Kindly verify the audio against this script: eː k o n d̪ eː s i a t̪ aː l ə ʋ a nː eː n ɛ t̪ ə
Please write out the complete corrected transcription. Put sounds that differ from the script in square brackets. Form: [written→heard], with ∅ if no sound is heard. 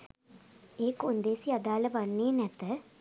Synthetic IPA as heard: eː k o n d̪ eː s i a [t̪→d̪] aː l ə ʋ a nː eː n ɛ t̪ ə